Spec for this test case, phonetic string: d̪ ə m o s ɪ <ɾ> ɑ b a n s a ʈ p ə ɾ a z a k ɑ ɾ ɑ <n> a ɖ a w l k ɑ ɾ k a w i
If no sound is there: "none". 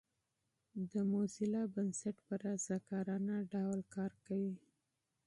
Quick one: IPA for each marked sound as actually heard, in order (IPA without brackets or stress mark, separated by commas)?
l, n